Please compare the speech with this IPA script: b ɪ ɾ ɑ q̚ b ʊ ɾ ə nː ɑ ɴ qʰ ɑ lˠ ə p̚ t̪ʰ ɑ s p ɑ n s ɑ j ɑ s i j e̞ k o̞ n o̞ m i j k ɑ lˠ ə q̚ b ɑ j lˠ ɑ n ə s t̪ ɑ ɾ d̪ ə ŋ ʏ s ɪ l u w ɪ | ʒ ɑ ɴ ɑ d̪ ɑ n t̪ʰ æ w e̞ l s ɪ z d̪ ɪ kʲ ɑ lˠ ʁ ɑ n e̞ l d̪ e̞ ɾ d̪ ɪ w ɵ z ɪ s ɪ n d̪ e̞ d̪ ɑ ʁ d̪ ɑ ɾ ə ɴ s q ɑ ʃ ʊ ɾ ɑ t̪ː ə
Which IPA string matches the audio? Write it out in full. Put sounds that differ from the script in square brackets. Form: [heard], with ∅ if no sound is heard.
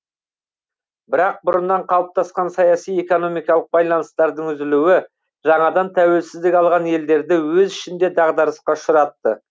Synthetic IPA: b ɪ ɾ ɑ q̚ b ʊ ɾ ə nː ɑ ɴ qʰ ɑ lˠ ə p̚ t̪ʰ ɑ s [q] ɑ n s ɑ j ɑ s i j e̞ k o̞ n o̞ m i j k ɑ lˠ ə q̚ b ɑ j lˠ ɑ n ə s t̪ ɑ ɾ d̪ ə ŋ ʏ [z] ɪ l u w ɪ | ʒ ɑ ɴ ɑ d̪ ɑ n t̪ʰ æ w e̞ l s ɪ z d̪ ɪ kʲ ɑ lˠ ʁ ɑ n e̞ l d̪ e̞ ɾ d̪ ɪ w ɵ z ɪ [ʃ] ɪ n d̪ e̞ d̪ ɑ ʁ d̪ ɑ ɾ ə [∅] s q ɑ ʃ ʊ ɾ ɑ t̪ː ə